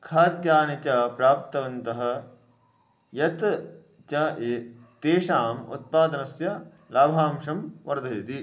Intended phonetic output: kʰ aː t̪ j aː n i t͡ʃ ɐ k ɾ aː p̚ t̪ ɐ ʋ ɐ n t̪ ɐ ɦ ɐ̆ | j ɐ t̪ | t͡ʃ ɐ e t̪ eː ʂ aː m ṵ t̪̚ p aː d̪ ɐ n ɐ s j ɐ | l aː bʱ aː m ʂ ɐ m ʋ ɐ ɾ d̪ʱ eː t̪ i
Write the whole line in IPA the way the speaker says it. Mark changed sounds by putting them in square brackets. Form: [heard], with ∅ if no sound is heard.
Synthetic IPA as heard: kʰ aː t̪ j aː n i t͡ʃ ɐ [p] ɾ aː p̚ t̪ ɐ ʋ ɐ n t̪ ɐ ɦ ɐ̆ | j ɐ t̪ | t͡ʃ ɐ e t̪ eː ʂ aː m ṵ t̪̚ p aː d̪ ɐ n ɐ s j ɐ | l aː bʱ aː m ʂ ɐ m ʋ ɐ ɾ d̪ʱ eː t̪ i